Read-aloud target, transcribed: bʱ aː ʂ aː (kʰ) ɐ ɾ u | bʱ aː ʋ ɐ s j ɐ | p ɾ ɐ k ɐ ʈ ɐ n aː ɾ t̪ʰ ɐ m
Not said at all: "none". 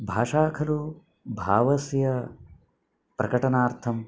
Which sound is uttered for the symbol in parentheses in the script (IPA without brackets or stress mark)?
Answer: kʰ